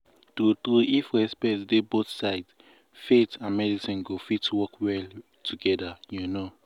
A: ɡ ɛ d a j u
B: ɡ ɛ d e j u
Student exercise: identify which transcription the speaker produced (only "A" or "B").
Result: A